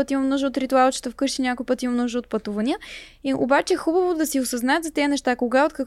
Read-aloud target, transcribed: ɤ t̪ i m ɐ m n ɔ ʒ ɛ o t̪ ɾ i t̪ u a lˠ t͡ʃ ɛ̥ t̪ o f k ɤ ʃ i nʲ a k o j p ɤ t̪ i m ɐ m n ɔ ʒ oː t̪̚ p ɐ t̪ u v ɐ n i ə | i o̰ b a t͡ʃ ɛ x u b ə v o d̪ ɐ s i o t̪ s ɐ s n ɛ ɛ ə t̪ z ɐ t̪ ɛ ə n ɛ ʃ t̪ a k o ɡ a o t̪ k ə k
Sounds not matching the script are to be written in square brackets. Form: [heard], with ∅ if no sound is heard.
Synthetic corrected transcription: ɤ t̪ i m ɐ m n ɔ ʒ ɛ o t̪ ɾ i t̪ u a lˠ t͡ʃ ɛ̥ t̪ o f k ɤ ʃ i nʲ a k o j p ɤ t̪ i m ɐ m n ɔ ʒ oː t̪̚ p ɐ t̪ u v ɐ n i ə | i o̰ b a t͡ʃ ɛ x u b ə v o d̪ ɐ s i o [∅] s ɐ [z] n [a] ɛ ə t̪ z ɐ t̪ ɛ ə n ɛ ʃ t̪ a k o ɡ a o t̪ k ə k